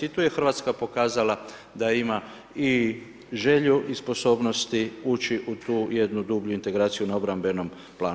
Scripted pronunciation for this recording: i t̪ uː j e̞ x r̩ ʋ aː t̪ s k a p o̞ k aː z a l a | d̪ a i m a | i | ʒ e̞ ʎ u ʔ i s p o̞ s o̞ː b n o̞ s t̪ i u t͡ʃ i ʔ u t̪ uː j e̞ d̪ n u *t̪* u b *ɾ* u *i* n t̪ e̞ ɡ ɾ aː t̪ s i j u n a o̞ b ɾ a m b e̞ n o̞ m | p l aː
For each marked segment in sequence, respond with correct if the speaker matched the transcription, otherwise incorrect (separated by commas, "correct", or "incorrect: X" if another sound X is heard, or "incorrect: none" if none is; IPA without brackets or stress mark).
incorrect: d̪, incorrect: ʎ, correct